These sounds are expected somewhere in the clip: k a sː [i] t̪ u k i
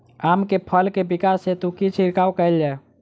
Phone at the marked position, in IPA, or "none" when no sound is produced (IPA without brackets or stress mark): e